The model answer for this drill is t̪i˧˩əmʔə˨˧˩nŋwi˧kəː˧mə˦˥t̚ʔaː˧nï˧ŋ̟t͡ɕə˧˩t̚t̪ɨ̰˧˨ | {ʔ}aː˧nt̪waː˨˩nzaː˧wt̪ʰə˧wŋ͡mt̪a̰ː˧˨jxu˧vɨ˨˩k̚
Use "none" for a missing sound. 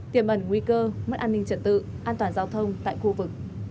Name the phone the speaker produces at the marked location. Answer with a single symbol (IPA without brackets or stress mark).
ʔ